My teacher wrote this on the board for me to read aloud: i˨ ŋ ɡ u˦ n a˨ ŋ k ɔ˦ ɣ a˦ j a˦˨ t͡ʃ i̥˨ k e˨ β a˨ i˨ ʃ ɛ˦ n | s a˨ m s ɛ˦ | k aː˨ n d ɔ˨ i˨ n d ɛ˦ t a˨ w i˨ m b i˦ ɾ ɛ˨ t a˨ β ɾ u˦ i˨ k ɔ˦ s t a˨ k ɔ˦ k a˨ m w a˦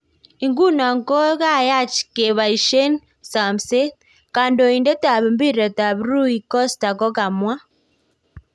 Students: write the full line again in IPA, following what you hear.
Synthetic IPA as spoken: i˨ ŋ ɡ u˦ n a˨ ŋ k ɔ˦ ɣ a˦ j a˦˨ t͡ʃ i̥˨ k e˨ β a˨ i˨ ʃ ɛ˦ n | s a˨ m s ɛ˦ | k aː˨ n d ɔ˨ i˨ n d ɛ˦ t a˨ β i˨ m b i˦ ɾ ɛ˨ t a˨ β ɾ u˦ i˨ k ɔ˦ s t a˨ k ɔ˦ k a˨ m w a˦